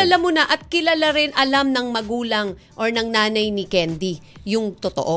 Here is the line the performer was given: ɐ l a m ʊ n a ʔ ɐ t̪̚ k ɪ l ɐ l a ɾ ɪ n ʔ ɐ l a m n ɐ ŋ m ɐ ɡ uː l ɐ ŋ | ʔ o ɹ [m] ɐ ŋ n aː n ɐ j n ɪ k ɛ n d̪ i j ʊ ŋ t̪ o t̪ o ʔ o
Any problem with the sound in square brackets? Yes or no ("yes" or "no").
yes